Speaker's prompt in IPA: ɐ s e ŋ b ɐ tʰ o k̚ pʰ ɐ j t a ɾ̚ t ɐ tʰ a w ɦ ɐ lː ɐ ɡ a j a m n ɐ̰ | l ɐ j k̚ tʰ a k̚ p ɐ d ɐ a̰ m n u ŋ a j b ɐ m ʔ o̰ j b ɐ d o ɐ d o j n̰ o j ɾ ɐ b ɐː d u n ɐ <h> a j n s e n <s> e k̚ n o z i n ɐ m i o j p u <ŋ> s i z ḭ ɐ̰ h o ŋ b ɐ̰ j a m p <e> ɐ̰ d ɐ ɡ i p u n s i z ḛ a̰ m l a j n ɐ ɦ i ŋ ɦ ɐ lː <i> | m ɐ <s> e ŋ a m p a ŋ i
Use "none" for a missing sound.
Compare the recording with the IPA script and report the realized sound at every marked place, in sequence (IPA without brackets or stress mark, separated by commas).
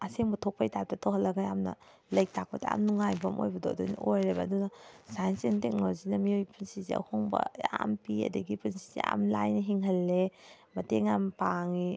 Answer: s, t, n, i, e, t